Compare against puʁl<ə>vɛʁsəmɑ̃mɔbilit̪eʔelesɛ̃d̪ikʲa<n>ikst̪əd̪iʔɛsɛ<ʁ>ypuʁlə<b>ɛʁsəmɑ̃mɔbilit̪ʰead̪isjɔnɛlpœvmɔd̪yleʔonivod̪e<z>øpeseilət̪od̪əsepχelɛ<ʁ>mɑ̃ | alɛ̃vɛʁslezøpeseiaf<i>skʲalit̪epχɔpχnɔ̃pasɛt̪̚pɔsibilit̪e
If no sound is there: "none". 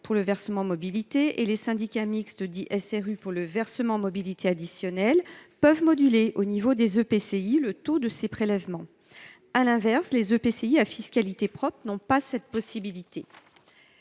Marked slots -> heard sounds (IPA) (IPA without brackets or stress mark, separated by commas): ə, m, ʁ, v, z, v, i